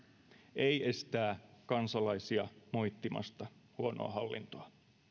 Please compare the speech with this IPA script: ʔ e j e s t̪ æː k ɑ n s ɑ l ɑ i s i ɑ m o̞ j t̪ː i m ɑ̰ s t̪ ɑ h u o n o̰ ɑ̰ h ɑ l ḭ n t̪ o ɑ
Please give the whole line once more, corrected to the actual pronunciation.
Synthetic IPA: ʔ e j e s t̪ æː k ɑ n s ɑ l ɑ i s i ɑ m o̞ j t̪ː i m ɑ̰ s t̪ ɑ h u o n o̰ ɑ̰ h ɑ lː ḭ n t̪ o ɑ

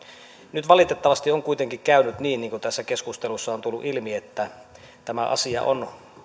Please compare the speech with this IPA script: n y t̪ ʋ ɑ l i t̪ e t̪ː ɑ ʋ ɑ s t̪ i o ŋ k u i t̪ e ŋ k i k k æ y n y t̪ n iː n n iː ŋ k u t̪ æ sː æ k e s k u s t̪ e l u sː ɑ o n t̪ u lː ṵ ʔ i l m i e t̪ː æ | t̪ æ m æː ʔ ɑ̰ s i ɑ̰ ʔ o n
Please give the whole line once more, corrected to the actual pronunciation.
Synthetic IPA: n y t̪ ʋ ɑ l i t̪ e t̪ː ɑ ʋ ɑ s t̪ i o ŋ k u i t̪ e ŋ k i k k æ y n y t̪ n iː n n iː ŋ k u t̪ æ sː æ k e s k u s t̪ e l u sː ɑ o n t̪ u lː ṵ ʔ i l m i e t̪ː æ | t̪ æ m æ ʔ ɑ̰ s i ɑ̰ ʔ o n

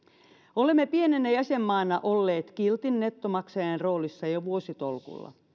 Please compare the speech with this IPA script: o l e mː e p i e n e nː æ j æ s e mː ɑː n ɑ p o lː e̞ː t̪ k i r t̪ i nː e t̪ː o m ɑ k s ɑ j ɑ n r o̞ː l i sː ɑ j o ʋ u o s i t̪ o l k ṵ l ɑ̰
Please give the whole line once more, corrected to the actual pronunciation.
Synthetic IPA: o l e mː e p i e n e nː æ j æ s e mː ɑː n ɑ ʔ o lː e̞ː t̪ k i l t̪ i nː e t̪ː o m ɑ k s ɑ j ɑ n r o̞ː l i sː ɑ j o ʋ u o s i t̪ o l k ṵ lː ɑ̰

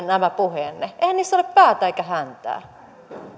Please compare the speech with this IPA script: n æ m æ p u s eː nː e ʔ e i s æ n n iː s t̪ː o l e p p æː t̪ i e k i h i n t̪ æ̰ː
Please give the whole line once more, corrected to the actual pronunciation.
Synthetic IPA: n æ m æ p u h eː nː e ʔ e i h æ n n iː s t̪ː o l e p p æː t̪ æ e k æ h æ n t̪ æ̰ː

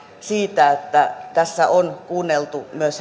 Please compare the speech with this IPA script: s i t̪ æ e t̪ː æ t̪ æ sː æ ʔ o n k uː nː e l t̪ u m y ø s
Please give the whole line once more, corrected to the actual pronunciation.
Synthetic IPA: s iː t̪ æ e t̪ː æ t̪ æ sː æ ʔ o n k uː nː e l t̪ u m y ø s

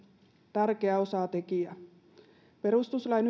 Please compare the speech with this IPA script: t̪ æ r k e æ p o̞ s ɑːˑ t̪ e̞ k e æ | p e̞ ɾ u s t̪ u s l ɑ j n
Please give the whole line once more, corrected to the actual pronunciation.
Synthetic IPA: t̪ æ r k e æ o̞ s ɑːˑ t̪ e̞ k i æ | p e̞ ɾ u s t̪ u s l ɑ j n

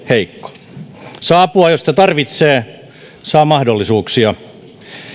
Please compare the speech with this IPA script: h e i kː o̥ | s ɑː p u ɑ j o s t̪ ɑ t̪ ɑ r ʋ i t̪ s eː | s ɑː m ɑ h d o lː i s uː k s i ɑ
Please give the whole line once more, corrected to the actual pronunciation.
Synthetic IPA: h e i kː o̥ | s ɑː p u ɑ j o s t̪ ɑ t̪ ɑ r ʋ i t̪ s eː | s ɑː m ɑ h d o lː i s uː k s i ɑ

